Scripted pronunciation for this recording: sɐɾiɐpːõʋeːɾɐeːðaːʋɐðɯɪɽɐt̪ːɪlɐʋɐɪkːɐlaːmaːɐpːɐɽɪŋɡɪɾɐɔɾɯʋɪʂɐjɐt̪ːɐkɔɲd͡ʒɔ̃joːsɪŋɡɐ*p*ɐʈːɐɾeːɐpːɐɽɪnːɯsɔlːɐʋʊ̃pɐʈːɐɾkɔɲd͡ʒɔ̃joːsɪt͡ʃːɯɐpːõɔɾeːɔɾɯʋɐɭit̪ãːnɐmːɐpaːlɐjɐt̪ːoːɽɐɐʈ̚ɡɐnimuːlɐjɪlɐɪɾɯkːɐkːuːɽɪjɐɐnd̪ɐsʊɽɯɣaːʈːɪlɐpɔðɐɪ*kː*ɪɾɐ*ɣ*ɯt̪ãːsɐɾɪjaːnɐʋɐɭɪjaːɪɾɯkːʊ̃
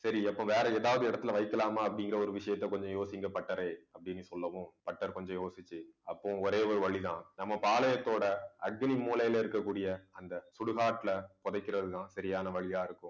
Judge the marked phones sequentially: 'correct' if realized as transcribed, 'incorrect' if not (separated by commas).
correct, correct, incorrect